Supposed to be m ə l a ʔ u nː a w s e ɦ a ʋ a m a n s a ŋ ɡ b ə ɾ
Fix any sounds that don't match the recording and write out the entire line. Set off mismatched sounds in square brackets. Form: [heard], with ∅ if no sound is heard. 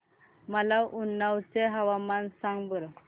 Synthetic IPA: m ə l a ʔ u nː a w [t͡s] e ɦ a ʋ a m a n s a ŋ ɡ b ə ɾ